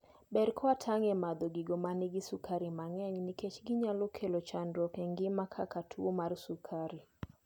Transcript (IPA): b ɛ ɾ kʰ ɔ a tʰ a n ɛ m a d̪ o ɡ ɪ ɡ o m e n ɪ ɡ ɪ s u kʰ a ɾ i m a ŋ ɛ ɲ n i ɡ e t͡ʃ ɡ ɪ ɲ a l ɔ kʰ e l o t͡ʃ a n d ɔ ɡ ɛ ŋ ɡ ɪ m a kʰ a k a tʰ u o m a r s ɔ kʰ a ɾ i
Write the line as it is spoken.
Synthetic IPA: b ɛ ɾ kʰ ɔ a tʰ a ŋ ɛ m a d̪ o ɡ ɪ ɡ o m a n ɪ ɡ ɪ s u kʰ a ɾ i m a ŋ ɛ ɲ n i k e t͡ʃ ɡ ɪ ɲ a l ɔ kʰ e l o t͡ʃ a n d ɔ k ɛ ŋ ɡ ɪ m a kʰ a k a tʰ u o m a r s u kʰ a ɾ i